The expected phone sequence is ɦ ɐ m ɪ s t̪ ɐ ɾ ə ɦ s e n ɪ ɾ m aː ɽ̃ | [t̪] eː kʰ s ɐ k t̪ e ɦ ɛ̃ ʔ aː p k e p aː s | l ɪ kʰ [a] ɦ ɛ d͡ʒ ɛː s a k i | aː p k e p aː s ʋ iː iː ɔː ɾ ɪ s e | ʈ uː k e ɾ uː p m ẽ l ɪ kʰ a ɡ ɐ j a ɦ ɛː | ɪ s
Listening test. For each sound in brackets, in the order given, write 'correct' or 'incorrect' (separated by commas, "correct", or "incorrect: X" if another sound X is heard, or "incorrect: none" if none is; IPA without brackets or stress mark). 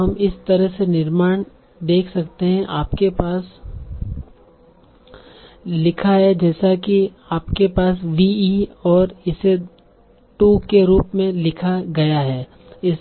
incorrect: d̪, correct